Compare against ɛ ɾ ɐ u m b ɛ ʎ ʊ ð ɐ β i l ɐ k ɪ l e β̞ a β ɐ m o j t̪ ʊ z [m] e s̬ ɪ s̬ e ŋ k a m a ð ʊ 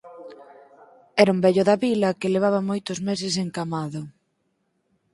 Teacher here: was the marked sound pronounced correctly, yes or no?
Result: yes